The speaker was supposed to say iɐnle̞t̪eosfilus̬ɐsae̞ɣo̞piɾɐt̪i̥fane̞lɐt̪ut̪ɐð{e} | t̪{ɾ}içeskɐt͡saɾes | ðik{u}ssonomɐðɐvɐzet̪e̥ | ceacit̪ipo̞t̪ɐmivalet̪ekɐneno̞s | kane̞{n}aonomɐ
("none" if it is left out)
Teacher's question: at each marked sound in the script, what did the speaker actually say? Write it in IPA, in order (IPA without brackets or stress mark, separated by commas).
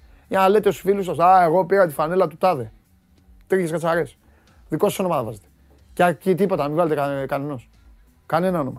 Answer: e, ɾ, o, n